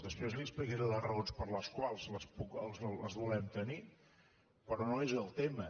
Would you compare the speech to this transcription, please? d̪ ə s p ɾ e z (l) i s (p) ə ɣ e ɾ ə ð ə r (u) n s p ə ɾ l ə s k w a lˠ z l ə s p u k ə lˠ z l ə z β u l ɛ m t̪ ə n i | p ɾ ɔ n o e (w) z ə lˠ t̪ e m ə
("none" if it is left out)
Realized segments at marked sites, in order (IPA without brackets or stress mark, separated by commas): l, p, o, none